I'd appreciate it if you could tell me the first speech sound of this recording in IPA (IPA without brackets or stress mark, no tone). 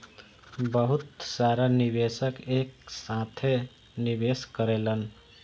b